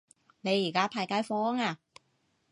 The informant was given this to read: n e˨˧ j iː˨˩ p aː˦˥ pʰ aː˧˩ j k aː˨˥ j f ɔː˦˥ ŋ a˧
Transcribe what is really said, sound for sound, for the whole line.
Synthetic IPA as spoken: n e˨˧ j iː˨˩ k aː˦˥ pʰ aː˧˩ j k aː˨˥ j f ɔː˦˥ ŋ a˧